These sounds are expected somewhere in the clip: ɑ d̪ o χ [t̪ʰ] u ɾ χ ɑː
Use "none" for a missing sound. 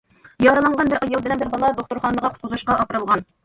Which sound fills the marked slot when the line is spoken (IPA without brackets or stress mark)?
t̪